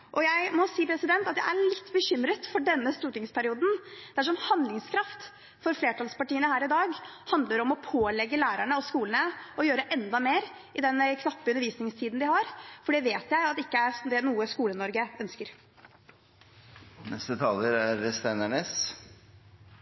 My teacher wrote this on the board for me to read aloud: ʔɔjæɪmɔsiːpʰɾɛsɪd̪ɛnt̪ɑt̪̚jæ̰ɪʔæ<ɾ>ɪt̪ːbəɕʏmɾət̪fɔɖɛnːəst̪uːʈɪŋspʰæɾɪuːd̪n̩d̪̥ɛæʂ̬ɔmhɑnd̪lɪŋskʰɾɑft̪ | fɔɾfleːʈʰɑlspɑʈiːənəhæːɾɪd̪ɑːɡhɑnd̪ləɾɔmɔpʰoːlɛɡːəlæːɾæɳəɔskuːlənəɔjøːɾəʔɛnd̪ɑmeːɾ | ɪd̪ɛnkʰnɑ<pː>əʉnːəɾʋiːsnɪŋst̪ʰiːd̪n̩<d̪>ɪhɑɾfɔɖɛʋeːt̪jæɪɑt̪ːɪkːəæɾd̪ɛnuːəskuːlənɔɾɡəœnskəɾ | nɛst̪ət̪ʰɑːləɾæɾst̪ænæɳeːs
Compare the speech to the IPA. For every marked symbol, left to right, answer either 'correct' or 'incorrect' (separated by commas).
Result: incorrect, correct, correct